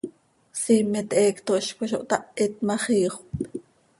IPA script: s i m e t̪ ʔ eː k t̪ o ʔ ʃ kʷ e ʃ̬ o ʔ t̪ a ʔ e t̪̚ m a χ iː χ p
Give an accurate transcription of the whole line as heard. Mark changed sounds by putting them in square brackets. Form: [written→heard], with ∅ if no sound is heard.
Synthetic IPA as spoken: s i m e t̪ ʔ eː k t̪ o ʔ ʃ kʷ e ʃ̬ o ʔ t̪ a ʔ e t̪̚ m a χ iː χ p